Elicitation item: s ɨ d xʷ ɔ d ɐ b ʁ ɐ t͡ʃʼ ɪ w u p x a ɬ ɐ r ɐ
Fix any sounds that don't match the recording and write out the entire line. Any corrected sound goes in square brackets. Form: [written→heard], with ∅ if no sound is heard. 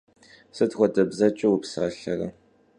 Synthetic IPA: s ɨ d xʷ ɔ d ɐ b [ʁ→z] ɐ t͡ʃʼ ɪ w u p [x→s] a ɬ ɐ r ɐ